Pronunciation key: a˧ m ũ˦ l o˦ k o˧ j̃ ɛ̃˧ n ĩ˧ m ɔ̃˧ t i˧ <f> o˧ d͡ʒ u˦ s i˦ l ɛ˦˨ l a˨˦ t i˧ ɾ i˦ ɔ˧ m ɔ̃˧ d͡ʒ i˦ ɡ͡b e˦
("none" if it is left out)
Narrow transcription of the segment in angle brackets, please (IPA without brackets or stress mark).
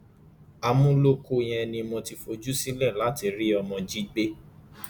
f